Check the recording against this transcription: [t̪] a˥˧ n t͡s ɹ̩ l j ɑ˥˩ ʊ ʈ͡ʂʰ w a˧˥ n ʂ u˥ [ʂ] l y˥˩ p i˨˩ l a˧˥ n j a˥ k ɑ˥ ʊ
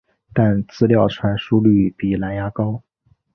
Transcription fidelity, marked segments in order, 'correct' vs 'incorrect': correct, incorrect

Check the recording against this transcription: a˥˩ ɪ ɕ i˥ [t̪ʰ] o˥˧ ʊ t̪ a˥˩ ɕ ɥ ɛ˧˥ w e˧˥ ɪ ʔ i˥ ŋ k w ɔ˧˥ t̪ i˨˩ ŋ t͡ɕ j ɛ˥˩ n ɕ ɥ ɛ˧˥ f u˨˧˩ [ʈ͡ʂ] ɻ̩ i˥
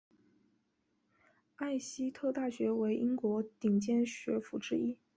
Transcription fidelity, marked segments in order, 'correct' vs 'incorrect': correct, correct

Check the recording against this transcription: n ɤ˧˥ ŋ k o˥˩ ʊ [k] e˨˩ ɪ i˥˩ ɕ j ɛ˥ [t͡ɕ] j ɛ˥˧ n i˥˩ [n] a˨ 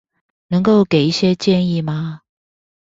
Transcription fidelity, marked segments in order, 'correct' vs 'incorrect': correct, correct, incorrect

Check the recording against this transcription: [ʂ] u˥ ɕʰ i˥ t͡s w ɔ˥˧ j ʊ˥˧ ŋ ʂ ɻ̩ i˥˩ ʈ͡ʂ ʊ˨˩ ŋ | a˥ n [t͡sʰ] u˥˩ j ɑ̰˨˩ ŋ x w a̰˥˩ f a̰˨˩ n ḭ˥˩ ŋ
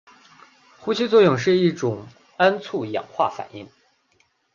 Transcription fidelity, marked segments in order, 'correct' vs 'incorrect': incorrect, correct

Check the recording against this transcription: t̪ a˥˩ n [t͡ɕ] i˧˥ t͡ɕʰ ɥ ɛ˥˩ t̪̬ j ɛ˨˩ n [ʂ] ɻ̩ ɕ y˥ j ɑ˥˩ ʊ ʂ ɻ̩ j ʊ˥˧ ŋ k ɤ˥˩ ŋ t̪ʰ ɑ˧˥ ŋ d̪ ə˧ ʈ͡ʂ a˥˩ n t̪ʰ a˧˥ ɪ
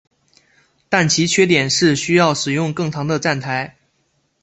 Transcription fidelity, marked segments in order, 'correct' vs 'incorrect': incorrect, correct

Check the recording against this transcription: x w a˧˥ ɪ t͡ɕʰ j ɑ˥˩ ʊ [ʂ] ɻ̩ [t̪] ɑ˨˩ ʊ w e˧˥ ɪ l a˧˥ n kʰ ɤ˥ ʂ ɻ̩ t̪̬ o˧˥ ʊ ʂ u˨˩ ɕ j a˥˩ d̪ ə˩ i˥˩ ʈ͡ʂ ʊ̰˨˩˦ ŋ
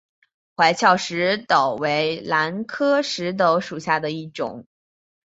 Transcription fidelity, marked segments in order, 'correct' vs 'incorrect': correct, correct

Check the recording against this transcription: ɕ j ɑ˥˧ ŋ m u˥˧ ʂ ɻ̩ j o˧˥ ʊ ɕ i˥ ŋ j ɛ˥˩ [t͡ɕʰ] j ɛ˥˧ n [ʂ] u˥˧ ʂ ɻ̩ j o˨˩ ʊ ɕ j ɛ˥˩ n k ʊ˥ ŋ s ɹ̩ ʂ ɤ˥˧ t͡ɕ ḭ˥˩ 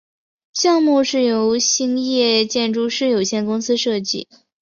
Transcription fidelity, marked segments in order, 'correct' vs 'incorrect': incorrect, incorrect

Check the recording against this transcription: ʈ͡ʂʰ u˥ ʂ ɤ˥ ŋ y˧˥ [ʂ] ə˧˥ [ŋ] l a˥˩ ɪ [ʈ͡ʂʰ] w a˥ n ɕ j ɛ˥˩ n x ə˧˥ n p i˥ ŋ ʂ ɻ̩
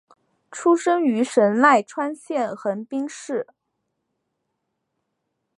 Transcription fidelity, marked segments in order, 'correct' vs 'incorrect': correct, incorrect, correct

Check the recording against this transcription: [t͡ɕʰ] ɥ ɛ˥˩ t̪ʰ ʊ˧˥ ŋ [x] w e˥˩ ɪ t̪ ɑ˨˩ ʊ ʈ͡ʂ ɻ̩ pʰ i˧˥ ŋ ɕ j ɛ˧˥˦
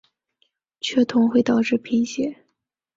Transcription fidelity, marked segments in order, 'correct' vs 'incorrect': correct, correct

